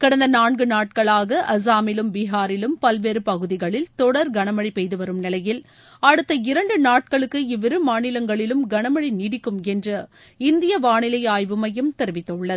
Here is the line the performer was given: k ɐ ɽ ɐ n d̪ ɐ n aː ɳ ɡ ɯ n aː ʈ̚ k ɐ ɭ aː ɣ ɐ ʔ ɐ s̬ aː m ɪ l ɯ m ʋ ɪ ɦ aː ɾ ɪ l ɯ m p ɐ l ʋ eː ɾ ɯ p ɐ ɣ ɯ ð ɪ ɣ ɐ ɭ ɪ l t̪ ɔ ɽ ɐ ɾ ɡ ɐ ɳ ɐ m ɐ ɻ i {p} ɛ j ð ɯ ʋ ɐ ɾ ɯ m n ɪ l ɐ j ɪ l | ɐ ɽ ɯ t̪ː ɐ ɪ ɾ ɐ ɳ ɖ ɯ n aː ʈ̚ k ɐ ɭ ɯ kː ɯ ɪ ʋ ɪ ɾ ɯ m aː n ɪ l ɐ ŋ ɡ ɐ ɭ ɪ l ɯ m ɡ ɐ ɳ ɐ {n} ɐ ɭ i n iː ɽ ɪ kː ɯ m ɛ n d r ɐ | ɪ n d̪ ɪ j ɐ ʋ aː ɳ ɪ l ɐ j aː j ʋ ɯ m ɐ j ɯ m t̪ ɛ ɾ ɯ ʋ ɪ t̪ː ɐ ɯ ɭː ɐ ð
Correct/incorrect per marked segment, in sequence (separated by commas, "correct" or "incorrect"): correct, incorrect